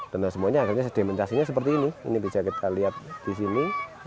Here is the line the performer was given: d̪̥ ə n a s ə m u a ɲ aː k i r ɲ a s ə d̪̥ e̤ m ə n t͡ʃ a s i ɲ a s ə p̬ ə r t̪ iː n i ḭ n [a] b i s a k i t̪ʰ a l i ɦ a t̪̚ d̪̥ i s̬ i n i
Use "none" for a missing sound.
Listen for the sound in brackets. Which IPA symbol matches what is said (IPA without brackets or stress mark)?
i